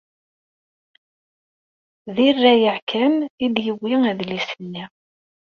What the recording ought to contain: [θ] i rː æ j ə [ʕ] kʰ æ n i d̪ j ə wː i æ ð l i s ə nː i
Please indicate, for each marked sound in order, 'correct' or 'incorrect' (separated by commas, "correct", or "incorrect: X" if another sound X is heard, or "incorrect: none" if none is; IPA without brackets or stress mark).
incorrect: ð, correct